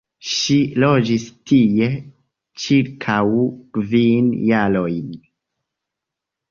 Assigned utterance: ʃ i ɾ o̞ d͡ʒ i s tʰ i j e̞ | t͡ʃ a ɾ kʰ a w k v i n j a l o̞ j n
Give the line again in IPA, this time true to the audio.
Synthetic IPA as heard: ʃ i l o̞ d͡ʒ i s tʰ i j e̞ | t͡ʃ i ɾ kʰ a w k v i n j a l o̞ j n